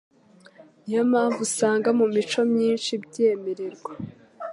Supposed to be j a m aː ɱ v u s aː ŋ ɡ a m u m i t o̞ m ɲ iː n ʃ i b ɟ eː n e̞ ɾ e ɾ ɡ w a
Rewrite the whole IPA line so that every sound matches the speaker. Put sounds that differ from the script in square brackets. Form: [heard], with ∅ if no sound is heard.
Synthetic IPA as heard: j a m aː ɱ v u s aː ŋ ɡ a m u m i [t͡ʃ] o̞ m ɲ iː n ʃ i b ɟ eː [m] e̞ ɾ e ɾ ɡ w a